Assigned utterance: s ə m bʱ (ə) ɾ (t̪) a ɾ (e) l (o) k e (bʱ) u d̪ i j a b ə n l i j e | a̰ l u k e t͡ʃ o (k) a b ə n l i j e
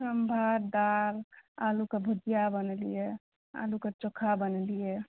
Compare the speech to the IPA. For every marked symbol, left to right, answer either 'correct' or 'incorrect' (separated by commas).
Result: incorrect, incorrect, incorrect, incorrect, correct, incorrect